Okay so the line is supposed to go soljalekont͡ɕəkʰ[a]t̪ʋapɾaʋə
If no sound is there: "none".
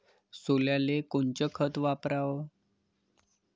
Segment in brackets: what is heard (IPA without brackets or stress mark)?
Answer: ə